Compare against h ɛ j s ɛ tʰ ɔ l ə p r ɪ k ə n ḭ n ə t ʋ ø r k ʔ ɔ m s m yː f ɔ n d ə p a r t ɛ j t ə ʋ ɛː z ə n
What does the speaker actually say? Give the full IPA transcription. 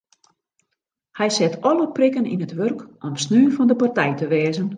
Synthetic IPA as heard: h ɛ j s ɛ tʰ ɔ l ə p r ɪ k ə n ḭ n ə t ʋ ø r k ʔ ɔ m s n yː f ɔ n d ə p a r t ɛ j t ə ʋ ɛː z ə n